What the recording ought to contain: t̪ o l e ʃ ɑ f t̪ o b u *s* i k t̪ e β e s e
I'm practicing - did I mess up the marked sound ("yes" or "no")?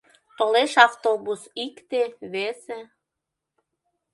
no